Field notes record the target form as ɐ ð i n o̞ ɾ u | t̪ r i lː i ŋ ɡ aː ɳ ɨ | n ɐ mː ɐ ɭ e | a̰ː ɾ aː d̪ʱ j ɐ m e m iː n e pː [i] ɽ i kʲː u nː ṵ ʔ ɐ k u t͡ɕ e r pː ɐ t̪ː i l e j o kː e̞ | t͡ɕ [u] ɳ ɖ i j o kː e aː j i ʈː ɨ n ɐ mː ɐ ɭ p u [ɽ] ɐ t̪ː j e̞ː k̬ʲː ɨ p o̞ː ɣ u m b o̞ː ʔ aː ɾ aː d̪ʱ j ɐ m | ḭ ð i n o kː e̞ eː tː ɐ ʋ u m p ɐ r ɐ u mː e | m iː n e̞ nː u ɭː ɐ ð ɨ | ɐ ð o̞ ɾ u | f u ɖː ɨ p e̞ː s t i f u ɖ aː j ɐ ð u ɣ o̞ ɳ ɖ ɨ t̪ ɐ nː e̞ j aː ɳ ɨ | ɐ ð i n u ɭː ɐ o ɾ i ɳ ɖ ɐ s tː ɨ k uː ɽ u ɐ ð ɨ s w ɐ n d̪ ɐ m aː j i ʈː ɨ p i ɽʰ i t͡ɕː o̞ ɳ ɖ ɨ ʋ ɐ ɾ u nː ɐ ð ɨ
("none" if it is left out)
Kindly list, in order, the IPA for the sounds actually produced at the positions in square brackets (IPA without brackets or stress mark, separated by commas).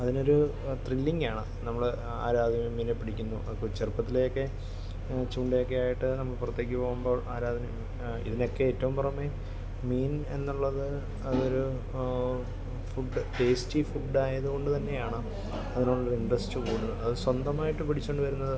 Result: i, uː, r